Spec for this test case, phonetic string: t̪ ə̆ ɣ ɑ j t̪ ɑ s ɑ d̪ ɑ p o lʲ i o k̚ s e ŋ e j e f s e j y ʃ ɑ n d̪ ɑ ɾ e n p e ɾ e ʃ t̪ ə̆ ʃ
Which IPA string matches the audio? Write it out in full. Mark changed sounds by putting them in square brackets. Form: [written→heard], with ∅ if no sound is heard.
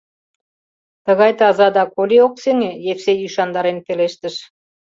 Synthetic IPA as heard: t̪ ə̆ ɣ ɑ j t̪ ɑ [s→z] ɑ d̪ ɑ [p→k] o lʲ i o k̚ s e ŋ e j e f s e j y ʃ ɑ n d̪ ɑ ɾ e n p e [ɾ→l] e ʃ t̪ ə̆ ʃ